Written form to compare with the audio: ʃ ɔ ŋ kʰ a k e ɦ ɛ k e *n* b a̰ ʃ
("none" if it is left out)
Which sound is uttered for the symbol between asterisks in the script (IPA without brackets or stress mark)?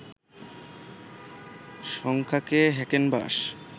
n